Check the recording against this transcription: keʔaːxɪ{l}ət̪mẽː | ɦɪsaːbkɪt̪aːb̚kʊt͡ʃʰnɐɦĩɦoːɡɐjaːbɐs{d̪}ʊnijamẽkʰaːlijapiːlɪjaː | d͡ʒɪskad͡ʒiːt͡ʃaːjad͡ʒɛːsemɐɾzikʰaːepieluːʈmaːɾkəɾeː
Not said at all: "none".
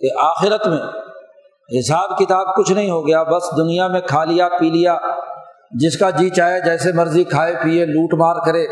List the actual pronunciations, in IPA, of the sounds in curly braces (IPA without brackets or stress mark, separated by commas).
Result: ɾ, d̪